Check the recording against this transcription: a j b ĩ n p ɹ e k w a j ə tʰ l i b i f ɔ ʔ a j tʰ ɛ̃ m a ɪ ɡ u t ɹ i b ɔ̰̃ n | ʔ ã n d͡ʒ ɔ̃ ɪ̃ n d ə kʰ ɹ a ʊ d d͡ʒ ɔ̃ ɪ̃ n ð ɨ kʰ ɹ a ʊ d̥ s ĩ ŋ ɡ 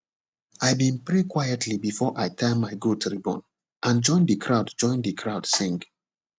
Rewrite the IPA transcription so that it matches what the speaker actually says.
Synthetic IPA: a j b ĩ n p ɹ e k w a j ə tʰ l i b i f ɔ ʔ a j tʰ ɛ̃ m a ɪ ɡ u t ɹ i b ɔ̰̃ n | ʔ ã n d͡ʒ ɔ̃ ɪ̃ n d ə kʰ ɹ a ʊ d d͡ʒ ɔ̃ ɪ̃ n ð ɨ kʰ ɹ a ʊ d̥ s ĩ ŋ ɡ